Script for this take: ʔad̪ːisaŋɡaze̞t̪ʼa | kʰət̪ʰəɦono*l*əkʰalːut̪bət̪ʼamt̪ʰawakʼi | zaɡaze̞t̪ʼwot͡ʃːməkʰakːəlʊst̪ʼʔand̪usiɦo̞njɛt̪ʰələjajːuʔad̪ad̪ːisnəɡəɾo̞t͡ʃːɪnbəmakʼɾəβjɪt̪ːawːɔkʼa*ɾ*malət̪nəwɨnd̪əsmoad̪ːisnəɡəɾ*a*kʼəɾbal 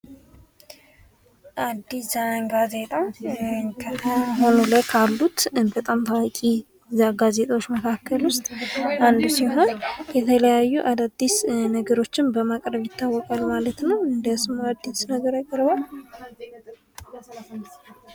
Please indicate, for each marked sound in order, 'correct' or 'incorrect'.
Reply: correct, incorrect, correct

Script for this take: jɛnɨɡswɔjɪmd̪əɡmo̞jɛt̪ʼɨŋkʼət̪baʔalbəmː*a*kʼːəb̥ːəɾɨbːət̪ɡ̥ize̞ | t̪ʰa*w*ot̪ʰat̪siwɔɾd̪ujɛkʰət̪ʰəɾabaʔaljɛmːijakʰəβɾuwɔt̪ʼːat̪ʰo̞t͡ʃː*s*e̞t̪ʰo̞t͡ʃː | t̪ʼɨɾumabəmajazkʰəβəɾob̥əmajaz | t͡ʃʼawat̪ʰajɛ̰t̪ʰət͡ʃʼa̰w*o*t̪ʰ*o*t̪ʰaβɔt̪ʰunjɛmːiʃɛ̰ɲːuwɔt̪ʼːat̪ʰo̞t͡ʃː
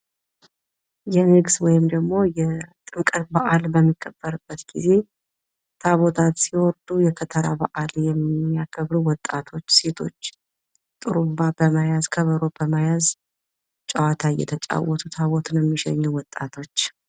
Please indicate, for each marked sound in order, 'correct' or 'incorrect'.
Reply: incorrect, incorrect, correct, incorrect, incorrect

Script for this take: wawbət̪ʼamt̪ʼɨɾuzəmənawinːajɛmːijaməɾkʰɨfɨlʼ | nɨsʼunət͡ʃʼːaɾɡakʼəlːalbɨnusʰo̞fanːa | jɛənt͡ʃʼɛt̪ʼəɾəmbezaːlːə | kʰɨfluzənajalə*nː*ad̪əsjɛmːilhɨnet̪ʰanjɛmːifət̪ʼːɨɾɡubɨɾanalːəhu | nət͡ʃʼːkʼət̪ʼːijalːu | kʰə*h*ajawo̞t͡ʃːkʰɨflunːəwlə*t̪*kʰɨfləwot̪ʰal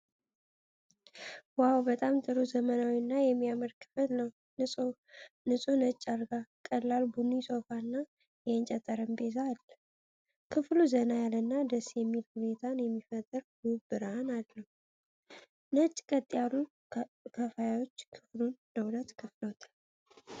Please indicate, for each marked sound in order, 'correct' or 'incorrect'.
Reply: correct, incorrect, correct

